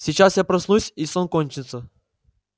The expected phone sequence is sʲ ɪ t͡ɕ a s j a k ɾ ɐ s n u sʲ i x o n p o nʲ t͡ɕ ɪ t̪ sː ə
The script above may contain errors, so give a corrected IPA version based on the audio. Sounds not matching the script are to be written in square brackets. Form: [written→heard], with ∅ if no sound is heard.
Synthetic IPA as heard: sʲ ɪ t͡ɕ a s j a [k→p] ɾ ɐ s n u sʲ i [x→s] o n [p→k] o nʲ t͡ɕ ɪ t̪ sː ə